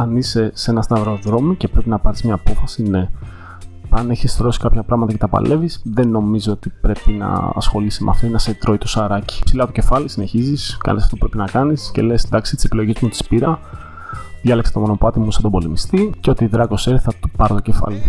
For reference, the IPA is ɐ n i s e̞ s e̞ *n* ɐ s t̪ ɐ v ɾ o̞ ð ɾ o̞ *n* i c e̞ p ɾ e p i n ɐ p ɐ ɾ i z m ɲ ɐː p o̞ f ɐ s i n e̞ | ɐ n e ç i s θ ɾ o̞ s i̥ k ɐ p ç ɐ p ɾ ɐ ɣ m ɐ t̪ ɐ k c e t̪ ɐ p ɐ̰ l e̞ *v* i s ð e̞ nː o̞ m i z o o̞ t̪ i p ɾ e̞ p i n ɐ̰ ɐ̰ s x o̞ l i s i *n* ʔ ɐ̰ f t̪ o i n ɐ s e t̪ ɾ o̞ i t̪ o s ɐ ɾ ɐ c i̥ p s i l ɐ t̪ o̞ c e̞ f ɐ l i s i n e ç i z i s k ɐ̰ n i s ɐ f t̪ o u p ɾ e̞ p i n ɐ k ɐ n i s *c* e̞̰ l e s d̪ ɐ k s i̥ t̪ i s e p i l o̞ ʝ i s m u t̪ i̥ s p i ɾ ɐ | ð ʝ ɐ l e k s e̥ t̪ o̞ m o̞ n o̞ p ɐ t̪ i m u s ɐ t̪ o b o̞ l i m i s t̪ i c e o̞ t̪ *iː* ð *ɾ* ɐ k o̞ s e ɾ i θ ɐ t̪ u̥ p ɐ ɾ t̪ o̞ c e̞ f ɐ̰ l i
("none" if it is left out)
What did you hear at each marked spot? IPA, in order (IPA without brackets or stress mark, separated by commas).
n, m, v, m, c, i, ɾ